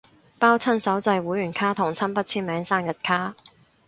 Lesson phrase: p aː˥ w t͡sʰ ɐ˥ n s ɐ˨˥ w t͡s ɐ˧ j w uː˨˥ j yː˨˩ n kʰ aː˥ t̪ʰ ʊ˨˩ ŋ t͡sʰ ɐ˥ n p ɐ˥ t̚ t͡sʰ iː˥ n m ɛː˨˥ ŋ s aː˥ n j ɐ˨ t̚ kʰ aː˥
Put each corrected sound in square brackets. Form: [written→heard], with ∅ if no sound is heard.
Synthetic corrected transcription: p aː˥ w t͡sʰ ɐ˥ n s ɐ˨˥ w t͡s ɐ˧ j w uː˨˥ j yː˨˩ n kʰ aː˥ t̪ʰ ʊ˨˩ ŋ t͡sʰ ɐ˥ n p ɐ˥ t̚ t͡sʰ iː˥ n m ɛː˨˥ ŋ s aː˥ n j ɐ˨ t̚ kʰ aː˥